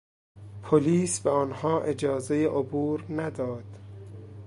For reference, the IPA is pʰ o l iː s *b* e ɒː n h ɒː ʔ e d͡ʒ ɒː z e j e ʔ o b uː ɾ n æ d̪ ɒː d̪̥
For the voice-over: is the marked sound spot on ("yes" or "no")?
yes